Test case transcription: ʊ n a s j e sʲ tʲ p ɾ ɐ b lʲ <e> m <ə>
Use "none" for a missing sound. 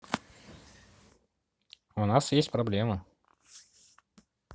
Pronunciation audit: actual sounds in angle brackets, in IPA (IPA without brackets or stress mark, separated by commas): e, ə